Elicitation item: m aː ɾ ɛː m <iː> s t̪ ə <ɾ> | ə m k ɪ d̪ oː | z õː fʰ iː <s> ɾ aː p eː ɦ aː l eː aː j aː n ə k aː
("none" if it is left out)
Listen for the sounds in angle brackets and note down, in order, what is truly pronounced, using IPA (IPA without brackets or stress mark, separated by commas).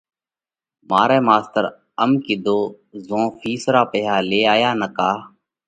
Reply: aː, ɾ, s